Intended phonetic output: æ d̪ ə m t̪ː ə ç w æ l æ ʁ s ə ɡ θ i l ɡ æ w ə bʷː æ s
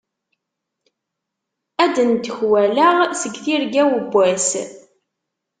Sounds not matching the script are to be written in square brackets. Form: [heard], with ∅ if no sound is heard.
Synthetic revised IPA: æ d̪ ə [n] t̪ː ə ç w æ l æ ʁ s ə ɡ θ i [ɾ] ɡ æ w ə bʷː æ s